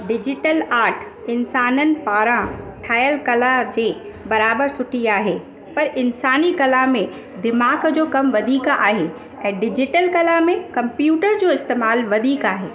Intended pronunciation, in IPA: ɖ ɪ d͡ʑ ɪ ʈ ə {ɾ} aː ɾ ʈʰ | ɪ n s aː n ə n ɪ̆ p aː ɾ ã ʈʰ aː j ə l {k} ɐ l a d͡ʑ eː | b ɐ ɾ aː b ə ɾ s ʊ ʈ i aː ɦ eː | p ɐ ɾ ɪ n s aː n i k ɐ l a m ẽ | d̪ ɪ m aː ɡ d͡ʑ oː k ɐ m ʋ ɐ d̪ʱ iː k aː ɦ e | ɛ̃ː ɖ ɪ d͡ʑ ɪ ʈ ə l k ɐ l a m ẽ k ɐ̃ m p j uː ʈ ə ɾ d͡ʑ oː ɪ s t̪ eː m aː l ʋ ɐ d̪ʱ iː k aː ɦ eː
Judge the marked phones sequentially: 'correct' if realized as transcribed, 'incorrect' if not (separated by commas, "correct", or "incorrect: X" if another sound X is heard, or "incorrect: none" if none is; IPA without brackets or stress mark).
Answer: incorrect: l, correct